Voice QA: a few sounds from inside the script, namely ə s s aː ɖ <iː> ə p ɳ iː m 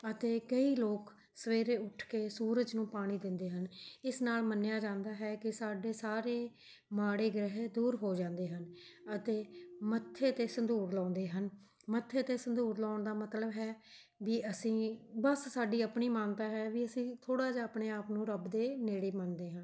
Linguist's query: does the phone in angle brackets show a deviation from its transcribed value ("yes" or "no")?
no